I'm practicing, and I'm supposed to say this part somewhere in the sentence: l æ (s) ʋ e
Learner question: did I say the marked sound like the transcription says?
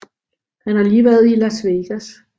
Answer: yes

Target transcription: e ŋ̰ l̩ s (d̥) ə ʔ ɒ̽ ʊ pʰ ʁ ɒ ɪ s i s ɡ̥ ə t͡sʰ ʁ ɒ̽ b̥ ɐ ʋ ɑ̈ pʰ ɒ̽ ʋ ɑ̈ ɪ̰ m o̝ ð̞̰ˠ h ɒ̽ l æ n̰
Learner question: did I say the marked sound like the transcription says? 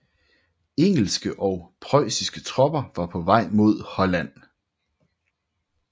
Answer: no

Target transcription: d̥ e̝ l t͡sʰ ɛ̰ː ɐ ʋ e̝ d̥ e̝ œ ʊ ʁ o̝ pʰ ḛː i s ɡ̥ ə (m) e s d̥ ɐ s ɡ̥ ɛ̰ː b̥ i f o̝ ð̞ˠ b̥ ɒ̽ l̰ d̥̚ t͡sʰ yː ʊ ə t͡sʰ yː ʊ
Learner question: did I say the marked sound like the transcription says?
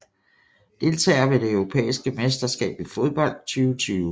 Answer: yes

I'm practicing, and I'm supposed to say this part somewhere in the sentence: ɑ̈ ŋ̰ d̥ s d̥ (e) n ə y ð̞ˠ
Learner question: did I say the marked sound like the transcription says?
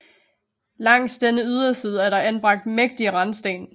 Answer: yes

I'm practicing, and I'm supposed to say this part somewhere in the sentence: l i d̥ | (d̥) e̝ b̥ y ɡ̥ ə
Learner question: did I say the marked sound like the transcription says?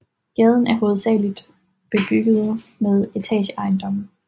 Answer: no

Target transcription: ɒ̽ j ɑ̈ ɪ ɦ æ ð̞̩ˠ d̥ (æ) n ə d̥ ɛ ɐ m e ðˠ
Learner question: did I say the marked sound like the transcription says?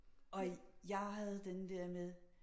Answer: no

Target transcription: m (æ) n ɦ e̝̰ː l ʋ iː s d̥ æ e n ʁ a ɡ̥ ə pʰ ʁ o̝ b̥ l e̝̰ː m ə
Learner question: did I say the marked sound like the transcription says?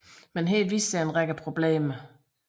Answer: no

